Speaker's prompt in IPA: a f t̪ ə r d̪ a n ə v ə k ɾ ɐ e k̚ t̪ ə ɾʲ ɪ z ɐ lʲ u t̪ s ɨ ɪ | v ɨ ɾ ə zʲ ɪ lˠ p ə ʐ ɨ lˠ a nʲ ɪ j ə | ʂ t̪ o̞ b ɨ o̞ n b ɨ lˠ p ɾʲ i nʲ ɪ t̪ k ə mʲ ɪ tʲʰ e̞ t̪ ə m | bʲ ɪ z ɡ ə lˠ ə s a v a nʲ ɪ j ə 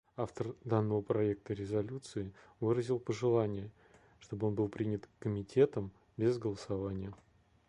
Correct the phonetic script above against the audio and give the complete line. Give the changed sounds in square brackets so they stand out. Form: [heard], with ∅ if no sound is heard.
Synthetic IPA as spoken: a f t̪ ə r d̪ a [nː] ə v ə [p] ɾ ɐ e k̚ t̪ ə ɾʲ ɪ z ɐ lʲ u t̪ s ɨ ɪ | v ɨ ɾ ə zʲ ɪ lˠ p ə ʐ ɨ lˠ a nʲ ɪ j ə | ʂ t̪ o̞ b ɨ o̞ n b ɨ lˠ p ɾʲ i nʲ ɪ t̪ k ə mʲ ɪ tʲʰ e̞ t̪ ə m | bʲ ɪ z ɡ ə lˠ ə s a v a nʲ ɪ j ə

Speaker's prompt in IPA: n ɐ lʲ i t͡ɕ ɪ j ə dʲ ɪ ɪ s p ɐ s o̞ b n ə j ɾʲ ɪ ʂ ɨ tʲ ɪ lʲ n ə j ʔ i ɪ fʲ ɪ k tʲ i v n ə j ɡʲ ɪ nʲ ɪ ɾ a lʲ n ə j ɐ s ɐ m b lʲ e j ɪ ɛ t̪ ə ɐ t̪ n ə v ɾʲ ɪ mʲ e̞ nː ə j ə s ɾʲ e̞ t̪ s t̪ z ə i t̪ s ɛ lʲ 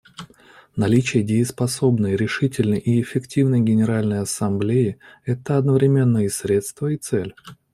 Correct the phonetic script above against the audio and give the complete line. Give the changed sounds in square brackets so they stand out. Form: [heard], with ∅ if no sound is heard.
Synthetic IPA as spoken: n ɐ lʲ i t͡ɕ ɪ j ə dʲ ɪ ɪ s p ɐ s o̞ b n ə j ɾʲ ɪ ʂ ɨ tʲ ɪ lʲ n ə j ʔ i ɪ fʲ ɪ k tʲ i v n ə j ɡʲ ɪ nʲ ɪ ɾ a lʲ n ə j ɐ s ɐ m b lʲ e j ɪ ɛ t̪ ə ɐ [d̪] n ə v ɾʲ ɪ mʲ e̞ nː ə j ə s ɾʲ e̞ t̪ s t̪ [v] ə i t̪ s ɛ lʲ

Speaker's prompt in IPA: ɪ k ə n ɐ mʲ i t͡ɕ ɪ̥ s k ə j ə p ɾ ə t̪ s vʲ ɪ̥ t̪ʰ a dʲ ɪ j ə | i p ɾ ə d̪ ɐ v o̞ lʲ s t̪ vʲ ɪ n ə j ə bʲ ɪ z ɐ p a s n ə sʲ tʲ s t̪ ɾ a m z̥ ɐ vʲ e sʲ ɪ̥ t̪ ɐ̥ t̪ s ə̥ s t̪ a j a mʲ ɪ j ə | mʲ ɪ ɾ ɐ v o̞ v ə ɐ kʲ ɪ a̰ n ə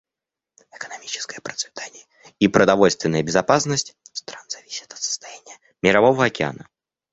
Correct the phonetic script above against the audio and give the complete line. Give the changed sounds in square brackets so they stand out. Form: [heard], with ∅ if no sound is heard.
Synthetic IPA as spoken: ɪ k ə n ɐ mʲ i t͡ɕ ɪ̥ s k ə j ə p ɾ ə t̪ s vʲ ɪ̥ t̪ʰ a [nʲ] ɪ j ə | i p ɾ ə d̪ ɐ v o̞ lʲ s t̪ vʲ ɪ n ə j ə bʲ ɪ z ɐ p a s n ə sʲ tʲ s t̪ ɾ a [n] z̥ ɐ vʲ [i] sʲ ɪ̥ t̪ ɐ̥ t̪ s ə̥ s t̪ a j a [nʲ] ɪ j ə | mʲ ɪ ɾ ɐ v o̞ v ə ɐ kʲ ɪ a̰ n ə

